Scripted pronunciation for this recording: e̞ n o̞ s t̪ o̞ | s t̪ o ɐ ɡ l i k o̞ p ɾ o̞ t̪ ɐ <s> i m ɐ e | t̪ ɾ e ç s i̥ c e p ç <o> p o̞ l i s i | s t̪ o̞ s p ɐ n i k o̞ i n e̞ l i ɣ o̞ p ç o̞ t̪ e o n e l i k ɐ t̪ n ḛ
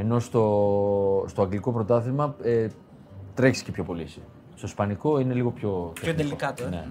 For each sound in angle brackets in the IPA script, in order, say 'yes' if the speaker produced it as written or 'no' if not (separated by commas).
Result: no, yes